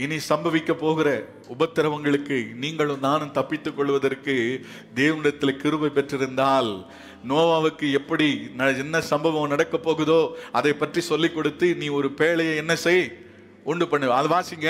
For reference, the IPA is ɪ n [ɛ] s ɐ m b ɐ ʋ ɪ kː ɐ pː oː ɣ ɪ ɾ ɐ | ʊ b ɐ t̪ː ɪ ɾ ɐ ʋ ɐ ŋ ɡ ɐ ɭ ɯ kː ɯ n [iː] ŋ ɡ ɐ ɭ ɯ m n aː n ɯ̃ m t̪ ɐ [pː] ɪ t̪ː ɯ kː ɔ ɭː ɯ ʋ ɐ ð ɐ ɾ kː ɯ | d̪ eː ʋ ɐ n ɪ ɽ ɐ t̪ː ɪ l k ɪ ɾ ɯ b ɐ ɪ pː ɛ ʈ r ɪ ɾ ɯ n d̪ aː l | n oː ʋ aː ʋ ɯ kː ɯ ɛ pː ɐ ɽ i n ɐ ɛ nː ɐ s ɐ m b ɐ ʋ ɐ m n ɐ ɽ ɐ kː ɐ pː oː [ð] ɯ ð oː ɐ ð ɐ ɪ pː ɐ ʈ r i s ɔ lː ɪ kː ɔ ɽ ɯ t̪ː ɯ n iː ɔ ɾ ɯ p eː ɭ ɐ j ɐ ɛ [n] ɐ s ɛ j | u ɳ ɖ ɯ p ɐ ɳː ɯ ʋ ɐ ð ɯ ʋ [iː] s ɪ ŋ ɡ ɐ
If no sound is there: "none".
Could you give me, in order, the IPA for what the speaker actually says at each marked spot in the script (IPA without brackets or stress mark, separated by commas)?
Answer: i, iː, pː, ɣ, nː, aː